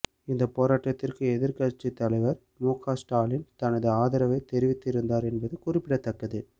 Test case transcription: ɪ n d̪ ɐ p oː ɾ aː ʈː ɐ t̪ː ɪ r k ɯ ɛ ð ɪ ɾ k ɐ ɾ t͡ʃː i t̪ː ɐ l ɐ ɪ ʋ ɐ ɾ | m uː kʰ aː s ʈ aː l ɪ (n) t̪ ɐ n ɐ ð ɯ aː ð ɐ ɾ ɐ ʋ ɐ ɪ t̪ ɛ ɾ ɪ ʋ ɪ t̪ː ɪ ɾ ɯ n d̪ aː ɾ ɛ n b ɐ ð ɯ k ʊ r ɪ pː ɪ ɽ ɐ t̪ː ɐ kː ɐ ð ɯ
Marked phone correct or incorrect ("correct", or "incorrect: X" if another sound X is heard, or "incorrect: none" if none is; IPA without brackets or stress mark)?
correct